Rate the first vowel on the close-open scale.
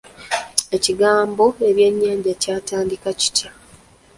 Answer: mid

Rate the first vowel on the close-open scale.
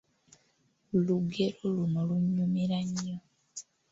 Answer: close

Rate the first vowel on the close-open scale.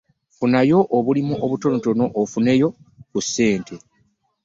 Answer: close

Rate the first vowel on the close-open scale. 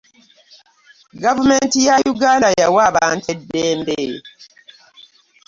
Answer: open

